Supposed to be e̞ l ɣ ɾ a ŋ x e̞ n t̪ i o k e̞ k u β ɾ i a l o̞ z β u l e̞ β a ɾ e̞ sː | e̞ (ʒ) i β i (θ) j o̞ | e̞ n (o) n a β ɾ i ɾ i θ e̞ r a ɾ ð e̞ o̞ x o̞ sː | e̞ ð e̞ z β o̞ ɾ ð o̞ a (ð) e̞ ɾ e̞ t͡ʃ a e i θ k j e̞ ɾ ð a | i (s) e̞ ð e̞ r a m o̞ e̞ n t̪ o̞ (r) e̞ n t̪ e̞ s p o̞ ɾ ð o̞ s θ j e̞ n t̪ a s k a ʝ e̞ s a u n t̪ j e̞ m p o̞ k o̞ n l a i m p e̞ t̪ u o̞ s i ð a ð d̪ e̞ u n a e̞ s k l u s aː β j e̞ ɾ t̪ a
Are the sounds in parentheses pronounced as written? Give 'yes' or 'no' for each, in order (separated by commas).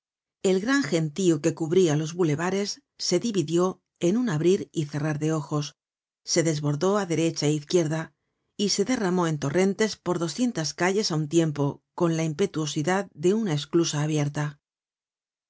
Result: no, no, no, yes, yes, yes